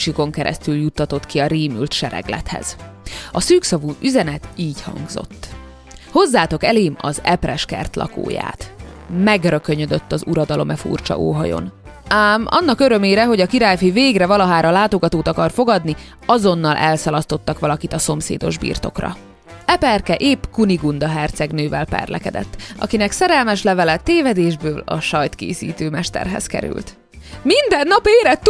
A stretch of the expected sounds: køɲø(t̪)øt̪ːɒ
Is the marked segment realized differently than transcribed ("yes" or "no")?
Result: yes